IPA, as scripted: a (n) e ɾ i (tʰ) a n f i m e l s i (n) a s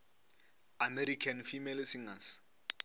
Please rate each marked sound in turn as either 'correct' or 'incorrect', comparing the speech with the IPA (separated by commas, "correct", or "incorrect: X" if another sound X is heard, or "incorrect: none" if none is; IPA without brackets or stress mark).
incorrect: m, incorrect: kʰ, incorrect: ŋ